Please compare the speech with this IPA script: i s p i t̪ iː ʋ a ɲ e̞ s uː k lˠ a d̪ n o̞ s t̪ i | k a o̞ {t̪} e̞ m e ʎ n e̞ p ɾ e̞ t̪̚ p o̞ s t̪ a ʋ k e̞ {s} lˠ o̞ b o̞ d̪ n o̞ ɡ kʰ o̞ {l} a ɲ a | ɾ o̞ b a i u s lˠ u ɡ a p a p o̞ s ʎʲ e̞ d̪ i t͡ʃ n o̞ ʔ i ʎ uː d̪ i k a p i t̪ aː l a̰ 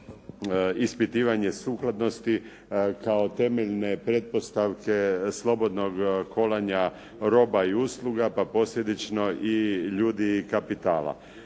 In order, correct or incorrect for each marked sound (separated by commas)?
correct, correct, correct